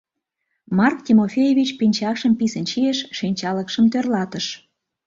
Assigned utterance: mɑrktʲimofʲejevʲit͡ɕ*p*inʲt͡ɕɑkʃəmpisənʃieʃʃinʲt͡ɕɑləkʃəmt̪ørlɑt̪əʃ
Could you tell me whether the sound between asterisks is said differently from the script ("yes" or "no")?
no